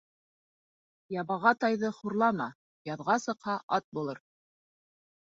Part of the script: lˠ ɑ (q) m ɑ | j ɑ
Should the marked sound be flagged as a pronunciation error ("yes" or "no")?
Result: yes